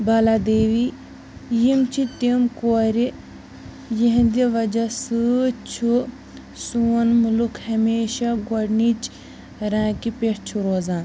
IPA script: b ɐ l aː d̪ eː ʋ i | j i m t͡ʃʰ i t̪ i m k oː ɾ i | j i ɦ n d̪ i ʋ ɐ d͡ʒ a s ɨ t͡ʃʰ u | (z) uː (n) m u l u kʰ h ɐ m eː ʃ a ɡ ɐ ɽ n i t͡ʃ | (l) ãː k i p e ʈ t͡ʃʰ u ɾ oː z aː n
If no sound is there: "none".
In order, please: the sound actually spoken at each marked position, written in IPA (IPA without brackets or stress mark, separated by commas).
s, n, ɾ